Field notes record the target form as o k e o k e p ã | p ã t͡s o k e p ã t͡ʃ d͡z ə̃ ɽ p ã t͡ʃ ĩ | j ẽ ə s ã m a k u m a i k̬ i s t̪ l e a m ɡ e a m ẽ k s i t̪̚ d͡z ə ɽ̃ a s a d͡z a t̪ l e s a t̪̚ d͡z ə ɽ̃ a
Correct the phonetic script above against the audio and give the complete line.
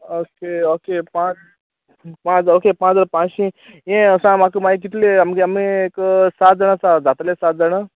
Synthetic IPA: o k e o k e p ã | p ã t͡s o k e p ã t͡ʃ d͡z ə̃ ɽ p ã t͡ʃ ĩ | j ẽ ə s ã m a k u m a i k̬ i t̪ l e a m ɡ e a m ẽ k s a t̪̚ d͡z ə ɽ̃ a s a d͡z a t̪ l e s a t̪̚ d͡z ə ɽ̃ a

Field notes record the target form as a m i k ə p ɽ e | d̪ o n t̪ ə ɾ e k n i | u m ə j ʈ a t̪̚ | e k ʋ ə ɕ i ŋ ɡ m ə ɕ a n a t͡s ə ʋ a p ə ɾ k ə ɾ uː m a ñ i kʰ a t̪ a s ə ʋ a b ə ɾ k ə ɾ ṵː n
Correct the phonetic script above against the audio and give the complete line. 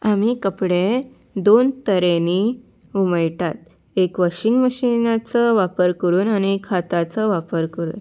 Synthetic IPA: a m i k ə p ɽ e | d̪ o n t̪ ə ɾ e n i | u m ə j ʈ a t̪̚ | e k ʋ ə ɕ i ŋ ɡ m ə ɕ i n a t͡s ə ʋ a p ə ɾ k ə ɾ uː n a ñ i kʰ a t̪ a t͡s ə ʋ a p ə ɾ k ə ɾ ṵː n

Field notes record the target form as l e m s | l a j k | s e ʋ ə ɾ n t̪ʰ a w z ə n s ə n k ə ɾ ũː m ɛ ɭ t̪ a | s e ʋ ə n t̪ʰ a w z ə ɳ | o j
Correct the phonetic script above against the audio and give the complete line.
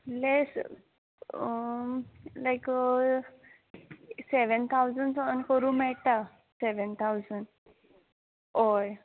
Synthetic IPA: l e s | l a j k | s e ʋ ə n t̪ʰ a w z ə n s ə n k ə ɾ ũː m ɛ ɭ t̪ a | s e ʋ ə n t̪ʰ a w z ə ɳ | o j

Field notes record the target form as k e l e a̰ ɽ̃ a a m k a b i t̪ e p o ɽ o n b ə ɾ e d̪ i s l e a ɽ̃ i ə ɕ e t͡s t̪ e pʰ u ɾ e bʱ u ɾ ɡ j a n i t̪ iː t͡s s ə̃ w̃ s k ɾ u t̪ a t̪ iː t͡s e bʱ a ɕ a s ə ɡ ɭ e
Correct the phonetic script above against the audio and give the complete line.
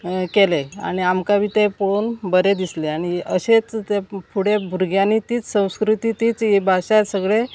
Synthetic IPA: k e l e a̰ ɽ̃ i a m k a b i t̪ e p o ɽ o n b ə ɾ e d̪ i s l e a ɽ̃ i ə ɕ e t͡s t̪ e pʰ u ɽ e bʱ u ɾ ɡ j a n i t̪ iː t͡s s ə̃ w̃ s k ɾ u t̪ i t̪ iː t͡s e bʱ a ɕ a s ə ɡ ɭ e

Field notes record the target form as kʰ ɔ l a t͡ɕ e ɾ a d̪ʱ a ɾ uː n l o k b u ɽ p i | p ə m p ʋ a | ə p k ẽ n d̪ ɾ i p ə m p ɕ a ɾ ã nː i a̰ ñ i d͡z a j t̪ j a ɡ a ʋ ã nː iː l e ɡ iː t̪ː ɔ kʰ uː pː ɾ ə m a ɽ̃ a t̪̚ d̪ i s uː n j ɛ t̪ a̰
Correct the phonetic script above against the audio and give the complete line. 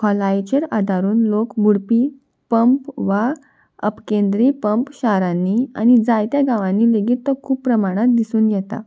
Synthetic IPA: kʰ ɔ l a t͡ɕ e ɾ a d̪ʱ a ɾ uː n l o k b u ɽ p i | p ə m p ʋ a | ə p k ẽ n d̪ ɾ i p ə m p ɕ a ɾ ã nː i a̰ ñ i d͡z a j t̪ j a ɡ a ʋ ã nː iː l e ɡ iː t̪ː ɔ kʰ uː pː ɾ ə m a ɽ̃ a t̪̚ d̪ i s uː n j ɛ t̪ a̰

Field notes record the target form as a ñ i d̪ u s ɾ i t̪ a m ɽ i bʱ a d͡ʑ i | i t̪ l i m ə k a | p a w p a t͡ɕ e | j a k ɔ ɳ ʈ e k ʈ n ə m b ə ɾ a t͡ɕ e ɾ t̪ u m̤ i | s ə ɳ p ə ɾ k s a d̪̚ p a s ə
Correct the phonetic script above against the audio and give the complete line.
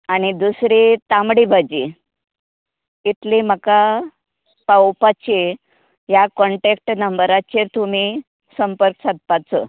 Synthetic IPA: a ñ i d̪ u s ɾ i t̪ a m ɽ i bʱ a d͡ʑ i | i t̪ l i m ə k a | p a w p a t͡ɕ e | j a k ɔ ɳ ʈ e k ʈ n ə m b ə ɾ a t͡ɕ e ɾ t̪ u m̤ i | s ə m p ə ɾ k s a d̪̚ p a t͡s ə

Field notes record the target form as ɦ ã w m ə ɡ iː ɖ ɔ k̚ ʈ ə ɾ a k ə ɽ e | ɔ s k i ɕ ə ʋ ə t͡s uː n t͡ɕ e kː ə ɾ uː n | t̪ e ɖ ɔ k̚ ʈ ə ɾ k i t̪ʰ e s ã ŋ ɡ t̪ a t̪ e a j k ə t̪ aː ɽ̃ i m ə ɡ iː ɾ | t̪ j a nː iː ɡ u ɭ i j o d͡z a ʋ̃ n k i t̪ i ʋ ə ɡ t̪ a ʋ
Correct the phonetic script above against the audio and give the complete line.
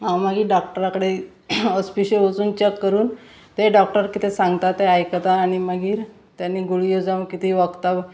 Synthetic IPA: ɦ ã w m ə ɡ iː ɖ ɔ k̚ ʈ ə ɾ a k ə ɽ e | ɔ s p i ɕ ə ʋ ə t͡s uː n t͡ɕ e kː ə ɾ uː n | t̪ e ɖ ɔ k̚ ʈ ə ɾ k i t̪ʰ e s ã ŋ ɡ t̪ a t̪ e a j k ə t̪ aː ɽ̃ i m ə ɡ iː ɾ | t̪ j a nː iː ɡ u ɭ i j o d͡z a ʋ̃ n k i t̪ i ʋ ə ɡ t̪ a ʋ

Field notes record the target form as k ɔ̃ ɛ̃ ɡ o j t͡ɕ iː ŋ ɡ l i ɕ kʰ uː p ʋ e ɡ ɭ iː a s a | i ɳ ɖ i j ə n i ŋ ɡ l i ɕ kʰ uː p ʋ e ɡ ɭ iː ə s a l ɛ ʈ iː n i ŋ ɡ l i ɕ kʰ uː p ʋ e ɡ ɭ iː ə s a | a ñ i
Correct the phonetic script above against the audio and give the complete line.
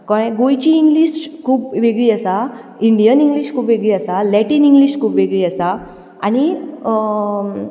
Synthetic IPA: k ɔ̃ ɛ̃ ɡ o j t͡ɕ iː ŋ ɡ l i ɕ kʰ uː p ʋ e ɡ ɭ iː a s a | i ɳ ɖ i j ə n i ŋ ɡ l i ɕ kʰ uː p ʋ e ɡ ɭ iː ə s a l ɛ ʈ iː n i ŋ ɡ l i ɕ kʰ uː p ʋ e ɡ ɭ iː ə s a | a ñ i

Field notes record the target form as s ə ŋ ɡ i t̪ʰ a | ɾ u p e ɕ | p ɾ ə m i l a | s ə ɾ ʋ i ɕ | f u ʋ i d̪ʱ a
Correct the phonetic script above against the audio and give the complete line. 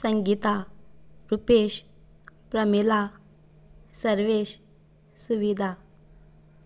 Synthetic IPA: s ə ŋ ɡ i t̪ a | ɾ u p e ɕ | p ɾ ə m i l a | s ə ɾ ʋ e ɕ | s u ʋ i d̪ʱ a

